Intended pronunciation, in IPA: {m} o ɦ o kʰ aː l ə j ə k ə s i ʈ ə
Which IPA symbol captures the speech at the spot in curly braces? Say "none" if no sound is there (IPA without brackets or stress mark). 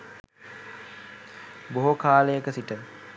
b